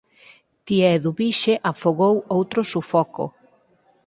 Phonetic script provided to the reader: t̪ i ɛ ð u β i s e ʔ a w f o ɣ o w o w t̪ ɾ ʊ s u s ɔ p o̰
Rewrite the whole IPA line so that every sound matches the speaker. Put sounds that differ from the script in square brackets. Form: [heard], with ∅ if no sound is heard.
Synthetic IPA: t̪ i ɛ ð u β i [ʃ] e ʔ a [∅] f o ɣ o w o w t̪ ɾ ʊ s u [f] ɔ [k] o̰

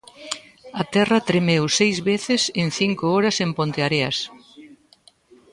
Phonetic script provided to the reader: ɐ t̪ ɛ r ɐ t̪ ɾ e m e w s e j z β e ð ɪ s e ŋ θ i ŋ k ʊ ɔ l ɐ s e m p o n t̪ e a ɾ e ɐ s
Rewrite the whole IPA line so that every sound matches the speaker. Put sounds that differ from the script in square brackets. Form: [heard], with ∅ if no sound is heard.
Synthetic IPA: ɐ t̪ ɛ r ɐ t̪ ɾ e m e w s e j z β e [θ] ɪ s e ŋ θ i ŋ k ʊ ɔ [ɾ] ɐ s e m p o n t̪ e a ɾ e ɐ s

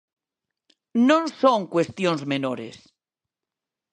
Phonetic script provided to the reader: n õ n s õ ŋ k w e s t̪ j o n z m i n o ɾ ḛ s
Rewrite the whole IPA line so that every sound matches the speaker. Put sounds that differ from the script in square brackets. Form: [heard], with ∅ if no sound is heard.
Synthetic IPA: n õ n s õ ŋ k w e s t̪ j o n z m [e] n o ɾ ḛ s

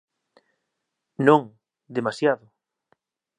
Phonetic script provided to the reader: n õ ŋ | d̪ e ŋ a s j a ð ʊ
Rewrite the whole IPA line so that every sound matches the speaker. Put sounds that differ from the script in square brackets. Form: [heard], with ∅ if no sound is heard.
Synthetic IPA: n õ ŋ | d̪ e [m] a s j a ð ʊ

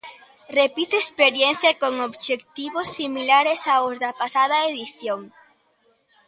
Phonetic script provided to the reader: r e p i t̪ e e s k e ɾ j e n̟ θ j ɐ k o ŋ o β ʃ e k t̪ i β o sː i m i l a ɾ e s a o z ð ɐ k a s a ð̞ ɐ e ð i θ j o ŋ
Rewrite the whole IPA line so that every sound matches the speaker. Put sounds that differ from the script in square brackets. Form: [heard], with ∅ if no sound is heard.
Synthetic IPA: r e p i t̪ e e s [p] e ɾ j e n̟ θ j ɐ k o ŋ o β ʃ e k t̪ i β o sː i m i l a ɾ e s a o z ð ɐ [p] a s a ð̞ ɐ e ð i θ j o ŋ

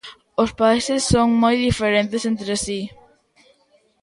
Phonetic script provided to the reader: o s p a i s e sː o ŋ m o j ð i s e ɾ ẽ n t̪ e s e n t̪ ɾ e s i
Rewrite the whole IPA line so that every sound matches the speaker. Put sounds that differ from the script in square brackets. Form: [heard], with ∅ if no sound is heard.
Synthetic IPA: o s p a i s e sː o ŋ m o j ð i [f] e ɾ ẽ n t̪ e s e n t̪ ɾ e s i

